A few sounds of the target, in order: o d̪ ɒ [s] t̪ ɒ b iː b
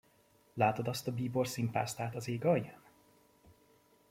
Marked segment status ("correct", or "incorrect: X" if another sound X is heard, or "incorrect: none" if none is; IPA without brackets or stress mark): correct